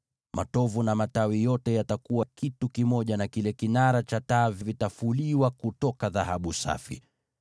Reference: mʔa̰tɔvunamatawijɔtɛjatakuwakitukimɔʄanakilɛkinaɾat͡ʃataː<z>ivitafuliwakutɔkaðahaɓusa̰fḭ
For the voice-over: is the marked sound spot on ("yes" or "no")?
no